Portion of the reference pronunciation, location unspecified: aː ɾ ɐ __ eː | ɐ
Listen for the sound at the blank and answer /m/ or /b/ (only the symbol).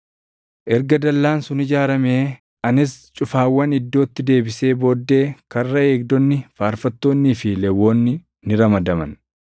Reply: m